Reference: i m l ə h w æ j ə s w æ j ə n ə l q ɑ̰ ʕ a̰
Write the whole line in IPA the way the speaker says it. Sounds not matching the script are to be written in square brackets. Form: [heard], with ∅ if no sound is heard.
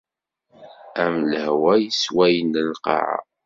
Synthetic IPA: [æ] m l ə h w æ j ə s w æ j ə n ə l q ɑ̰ ʕ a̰